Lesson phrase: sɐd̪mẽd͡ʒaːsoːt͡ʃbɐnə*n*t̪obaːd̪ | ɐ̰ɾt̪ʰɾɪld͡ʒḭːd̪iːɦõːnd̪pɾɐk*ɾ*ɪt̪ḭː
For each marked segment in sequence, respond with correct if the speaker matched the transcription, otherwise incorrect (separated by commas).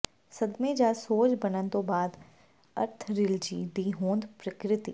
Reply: correct, correct